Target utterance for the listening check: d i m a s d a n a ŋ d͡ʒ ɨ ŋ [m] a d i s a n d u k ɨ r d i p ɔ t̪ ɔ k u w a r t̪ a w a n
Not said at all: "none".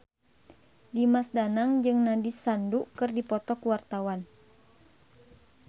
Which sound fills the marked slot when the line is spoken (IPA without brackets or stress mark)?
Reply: n